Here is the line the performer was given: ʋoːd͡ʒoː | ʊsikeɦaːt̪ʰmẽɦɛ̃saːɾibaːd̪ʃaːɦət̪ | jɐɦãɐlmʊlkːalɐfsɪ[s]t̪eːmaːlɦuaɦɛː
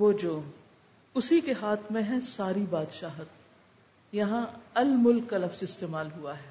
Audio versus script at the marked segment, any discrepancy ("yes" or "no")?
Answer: no